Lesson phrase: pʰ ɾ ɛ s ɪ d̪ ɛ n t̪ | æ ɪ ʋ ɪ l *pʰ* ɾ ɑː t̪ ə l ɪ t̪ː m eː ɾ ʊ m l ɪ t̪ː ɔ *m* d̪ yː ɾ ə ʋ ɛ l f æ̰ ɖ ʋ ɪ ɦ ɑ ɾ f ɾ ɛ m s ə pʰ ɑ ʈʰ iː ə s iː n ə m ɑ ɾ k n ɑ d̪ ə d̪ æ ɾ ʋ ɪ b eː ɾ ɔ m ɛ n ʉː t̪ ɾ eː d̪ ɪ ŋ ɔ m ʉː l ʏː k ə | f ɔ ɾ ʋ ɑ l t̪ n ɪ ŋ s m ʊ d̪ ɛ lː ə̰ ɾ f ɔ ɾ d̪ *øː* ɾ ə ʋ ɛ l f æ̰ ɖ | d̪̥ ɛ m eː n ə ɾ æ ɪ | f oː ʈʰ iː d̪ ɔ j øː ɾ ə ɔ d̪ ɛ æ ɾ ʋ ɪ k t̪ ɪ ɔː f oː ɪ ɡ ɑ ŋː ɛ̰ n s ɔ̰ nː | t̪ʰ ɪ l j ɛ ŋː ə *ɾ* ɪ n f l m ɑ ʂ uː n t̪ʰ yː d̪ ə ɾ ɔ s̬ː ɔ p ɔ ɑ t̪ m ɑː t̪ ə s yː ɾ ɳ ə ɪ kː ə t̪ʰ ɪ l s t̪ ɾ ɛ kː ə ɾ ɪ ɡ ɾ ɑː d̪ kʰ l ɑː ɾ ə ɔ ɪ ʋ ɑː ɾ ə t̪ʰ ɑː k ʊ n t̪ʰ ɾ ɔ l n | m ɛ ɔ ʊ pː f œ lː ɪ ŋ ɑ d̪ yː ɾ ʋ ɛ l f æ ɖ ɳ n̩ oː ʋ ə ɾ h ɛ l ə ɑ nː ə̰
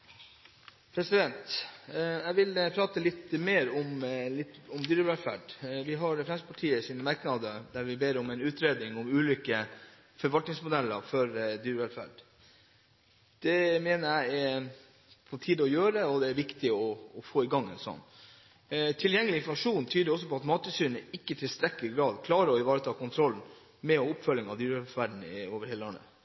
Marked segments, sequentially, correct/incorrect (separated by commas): correct, correct, incorrect, incorrect